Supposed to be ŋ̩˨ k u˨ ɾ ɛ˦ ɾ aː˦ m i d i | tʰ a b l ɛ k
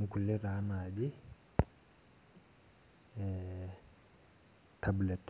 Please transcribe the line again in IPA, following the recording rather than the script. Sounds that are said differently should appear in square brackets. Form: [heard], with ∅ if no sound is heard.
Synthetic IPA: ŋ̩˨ k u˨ [l] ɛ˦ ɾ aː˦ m [a] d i | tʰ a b l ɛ [t]